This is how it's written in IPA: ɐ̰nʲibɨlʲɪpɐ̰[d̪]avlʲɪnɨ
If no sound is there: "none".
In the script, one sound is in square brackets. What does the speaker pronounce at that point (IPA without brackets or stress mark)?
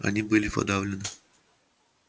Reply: d̪